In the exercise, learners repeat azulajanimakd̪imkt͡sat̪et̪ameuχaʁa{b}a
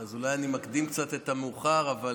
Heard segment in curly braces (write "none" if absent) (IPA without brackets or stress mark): v